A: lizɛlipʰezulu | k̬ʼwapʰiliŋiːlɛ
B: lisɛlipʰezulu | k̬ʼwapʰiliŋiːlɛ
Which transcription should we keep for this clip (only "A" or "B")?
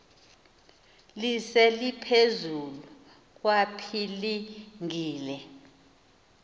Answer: B